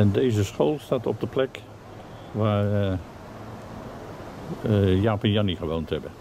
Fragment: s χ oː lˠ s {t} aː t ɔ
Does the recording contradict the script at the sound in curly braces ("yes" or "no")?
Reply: no